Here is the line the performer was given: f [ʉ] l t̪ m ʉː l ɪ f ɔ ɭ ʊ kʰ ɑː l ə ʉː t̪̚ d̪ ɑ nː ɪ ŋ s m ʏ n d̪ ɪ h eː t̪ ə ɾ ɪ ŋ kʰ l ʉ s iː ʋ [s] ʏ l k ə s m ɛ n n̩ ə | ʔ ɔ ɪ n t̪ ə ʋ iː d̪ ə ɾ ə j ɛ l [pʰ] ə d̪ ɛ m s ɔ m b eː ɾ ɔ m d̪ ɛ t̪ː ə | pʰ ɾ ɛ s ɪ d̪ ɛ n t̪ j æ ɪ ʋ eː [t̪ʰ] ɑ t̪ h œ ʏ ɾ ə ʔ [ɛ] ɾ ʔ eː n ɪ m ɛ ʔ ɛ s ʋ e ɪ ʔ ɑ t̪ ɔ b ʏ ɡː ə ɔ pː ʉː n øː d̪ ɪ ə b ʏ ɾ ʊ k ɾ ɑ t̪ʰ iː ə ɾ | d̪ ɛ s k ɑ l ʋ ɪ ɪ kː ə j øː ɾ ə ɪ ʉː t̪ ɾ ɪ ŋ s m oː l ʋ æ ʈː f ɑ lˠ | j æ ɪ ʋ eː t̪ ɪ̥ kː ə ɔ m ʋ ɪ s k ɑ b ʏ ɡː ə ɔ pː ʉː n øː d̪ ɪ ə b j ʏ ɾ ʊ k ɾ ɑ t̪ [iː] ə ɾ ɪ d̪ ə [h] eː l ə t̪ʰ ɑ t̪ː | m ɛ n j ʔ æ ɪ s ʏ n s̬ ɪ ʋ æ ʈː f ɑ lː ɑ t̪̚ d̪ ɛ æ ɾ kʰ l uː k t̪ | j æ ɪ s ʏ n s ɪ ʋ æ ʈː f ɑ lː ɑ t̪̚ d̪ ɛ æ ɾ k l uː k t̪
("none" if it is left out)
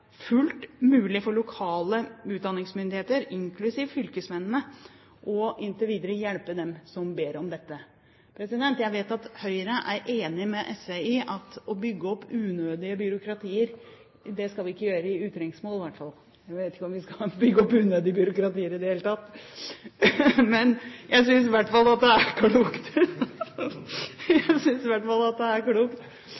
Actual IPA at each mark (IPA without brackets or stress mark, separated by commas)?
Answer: ʉ, f, p, t̪, æ, iː, h